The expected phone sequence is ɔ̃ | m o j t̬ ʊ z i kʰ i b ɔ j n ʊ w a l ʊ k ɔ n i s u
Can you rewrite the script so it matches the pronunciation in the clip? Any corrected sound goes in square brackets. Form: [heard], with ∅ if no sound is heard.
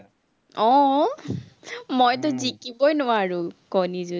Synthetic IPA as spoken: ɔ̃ | m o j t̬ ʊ z i [k] i b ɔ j n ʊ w a [ɹ] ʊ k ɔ n i [z] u